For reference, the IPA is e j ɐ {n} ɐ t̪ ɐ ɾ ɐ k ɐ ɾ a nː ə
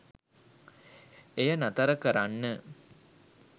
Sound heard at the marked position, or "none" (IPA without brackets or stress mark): n